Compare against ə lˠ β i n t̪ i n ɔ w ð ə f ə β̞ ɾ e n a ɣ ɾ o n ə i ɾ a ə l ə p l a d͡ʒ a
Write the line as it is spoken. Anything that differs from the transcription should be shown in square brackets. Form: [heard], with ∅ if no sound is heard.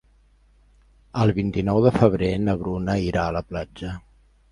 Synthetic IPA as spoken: ə lˠ β i n t̪ i n ɔ w ð ə f ə β̞ ɾ e n [ə] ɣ ɾ [u] n ə i ɾ a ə l ə p l a d͡ʒ [ə]